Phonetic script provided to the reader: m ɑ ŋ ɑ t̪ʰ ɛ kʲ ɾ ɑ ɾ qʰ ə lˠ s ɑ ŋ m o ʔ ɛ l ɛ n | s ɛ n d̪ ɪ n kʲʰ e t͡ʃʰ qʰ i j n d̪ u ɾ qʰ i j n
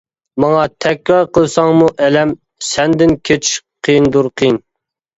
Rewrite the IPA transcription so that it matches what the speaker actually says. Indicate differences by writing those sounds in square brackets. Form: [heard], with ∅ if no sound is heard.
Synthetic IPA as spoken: m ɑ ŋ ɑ t̪ʰ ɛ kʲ ɾ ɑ ɾ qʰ ə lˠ s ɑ ŋ m [u] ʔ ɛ l ɛ [m] | s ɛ n d̪ ɪ n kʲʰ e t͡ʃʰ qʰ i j n d̪ u ɾ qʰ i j n